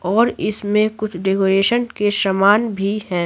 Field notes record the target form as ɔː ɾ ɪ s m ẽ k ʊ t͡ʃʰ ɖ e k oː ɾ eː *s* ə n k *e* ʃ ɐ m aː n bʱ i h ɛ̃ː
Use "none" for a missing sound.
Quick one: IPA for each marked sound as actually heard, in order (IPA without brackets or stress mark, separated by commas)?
ʃ, e